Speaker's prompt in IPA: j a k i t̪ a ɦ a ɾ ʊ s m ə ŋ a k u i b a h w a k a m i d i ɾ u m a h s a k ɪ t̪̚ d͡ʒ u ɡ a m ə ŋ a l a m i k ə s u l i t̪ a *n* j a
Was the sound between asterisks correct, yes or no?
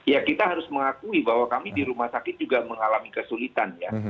yes